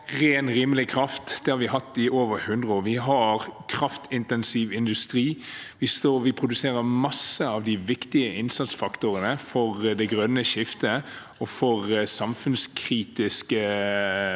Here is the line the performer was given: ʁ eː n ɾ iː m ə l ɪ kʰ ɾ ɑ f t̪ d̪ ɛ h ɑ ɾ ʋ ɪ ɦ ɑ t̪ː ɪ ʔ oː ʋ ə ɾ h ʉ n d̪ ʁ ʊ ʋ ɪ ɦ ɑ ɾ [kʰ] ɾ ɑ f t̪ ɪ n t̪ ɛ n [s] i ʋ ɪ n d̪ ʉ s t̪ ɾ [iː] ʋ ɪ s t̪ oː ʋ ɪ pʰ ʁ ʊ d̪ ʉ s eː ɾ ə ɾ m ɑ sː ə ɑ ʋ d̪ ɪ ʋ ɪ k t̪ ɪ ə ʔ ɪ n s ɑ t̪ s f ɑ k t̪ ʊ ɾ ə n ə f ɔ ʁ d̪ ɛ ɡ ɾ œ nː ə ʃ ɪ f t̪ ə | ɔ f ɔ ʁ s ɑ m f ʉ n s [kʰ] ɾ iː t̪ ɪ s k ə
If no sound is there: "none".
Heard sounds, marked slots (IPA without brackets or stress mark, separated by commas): kʰ, s, iː, kʰ